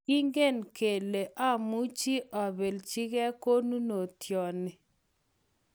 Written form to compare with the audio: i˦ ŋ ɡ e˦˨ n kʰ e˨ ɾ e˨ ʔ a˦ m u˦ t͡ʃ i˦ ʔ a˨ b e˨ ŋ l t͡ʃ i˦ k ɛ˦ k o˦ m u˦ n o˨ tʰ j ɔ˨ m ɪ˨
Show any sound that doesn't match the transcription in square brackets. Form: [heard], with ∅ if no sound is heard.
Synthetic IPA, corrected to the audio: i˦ ŋ ɡ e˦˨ n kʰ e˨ [l] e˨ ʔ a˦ m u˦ t͡ʃ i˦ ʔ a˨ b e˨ [∅] l t͡ʃ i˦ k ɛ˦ k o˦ [n] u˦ n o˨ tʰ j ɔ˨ [n] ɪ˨